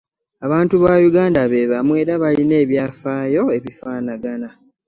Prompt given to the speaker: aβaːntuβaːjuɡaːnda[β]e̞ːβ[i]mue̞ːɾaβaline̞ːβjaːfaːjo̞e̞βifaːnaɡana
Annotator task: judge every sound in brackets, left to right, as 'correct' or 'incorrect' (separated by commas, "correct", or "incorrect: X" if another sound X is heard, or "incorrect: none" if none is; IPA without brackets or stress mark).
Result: correct, incorrect: a